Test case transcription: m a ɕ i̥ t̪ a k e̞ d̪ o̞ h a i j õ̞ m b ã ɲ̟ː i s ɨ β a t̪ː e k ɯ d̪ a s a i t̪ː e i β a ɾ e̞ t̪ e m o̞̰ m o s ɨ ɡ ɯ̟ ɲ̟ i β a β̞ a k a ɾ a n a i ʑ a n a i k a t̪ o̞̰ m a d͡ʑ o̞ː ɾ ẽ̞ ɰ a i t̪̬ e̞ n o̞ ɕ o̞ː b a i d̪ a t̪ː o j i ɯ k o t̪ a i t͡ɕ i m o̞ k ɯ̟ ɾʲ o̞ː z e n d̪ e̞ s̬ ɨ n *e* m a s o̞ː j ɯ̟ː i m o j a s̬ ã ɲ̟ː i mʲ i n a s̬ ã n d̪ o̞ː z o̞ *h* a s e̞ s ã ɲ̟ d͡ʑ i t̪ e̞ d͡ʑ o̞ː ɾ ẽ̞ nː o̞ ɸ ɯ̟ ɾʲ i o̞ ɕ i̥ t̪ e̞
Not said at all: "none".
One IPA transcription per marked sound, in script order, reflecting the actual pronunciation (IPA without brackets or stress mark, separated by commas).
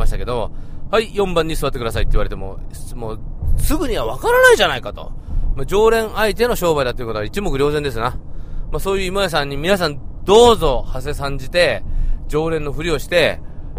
a, h